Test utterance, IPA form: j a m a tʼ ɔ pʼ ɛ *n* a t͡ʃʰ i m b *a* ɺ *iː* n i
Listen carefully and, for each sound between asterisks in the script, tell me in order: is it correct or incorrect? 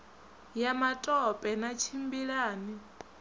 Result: correct, incorrect, incorrect

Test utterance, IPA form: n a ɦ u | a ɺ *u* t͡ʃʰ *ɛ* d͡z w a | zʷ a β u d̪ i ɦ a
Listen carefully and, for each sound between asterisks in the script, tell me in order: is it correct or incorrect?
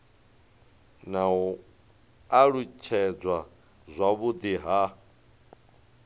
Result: correct, correct

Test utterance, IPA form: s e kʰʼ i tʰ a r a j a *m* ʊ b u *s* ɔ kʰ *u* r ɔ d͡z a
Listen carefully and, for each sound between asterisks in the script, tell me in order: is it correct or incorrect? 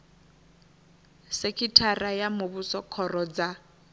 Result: correct, correct, incorrect

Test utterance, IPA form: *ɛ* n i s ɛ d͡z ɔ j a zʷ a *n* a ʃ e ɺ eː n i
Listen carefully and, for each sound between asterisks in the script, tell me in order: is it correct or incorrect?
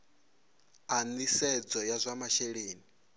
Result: incorrect, incorrect

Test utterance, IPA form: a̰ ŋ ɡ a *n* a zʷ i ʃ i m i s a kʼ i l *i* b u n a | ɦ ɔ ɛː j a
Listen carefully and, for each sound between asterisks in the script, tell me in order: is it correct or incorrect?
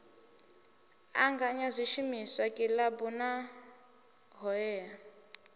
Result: incorrect, incorrect

